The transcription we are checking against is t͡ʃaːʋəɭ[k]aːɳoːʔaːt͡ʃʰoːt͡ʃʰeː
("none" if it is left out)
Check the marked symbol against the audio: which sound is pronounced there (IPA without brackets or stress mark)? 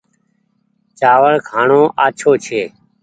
kʰ